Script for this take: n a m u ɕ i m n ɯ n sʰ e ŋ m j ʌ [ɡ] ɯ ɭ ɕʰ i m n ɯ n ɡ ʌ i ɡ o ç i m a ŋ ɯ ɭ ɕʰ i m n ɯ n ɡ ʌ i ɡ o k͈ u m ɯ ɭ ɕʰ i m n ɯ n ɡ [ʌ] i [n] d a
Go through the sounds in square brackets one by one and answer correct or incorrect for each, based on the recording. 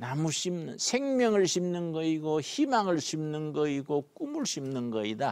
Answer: incorrect: ŋ, correct, incorrect: none

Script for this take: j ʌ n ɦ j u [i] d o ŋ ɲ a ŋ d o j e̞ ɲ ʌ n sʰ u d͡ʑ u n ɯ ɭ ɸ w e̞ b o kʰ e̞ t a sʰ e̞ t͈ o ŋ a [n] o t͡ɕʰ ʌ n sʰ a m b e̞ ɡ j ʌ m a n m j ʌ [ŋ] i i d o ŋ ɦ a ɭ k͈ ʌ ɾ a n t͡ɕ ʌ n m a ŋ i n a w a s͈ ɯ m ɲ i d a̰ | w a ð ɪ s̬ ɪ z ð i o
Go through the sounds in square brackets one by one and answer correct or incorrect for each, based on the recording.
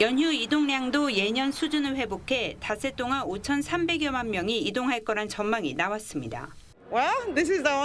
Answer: correct, correct, correct

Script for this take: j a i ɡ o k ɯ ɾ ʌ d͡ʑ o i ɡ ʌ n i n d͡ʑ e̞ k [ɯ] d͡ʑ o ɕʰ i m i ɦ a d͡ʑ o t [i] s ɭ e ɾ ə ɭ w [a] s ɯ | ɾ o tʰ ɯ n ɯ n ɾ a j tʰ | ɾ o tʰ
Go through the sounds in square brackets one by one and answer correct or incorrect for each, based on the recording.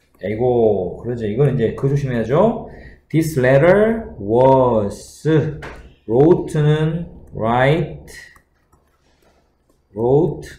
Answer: correct, correct, incorrect: ʌ

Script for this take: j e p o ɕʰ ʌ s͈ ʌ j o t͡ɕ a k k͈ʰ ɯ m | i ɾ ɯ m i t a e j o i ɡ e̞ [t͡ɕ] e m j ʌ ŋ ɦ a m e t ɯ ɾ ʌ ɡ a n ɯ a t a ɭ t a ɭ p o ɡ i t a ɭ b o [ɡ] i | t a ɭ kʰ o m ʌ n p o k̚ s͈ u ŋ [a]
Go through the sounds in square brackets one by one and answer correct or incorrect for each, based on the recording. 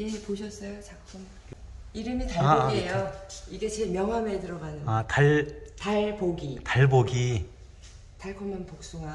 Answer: correct, correct, correct

